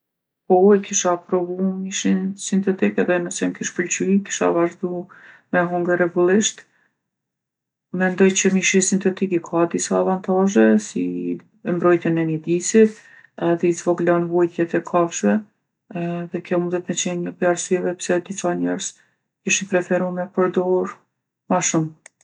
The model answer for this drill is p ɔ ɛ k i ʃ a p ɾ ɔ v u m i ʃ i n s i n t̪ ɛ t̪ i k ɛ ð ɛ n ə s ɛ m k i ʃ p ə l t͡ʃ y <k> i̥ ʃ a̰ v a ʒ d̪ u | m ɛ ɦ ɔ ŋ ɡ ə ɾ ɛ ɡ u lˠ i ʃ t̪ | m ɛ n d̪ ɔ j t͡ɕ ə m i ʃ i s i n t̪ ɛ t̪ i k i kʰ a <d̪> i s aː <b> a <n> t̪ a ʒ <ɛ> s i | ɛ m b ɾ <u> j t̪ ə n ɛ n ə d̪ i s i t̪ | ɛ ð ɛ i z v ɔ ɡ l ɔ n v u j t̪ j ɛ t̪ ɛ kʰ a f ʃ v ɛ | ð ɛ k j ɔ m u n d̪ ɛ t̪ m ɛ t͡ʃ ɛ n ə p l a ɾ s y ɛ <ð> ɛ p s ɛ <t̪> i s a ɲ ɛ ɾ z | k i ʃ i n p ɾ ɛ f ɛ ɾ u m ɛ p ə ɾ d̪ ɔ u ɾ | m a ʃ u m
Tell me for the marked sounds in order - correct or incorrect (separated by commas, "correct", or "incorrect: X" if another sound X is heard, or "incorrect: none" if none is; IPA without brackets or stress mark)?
correct, correct, incorrect: v, correct, correct, incorrect: ɔ, incorrect: v, incorrect: d̪